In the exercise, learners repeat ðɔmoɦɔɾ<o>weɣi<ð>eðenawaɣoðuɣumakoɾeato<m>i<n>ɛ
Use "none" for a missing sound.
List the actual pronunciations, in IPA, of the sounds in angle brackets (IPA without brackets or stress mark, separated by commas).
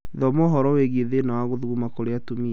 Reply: ɔ, none, m, none